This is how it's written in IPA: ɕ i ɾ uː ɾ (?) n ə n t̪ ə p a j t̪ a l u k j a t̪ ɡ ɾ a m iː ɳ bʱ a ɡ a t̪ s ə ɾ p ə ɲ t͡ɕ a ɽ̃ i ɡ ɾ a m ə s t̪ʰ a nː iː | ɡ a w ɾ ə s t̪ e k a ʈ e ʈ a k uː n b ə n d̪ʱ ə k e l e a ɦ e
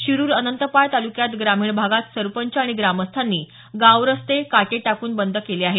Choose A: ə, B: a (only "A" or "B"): A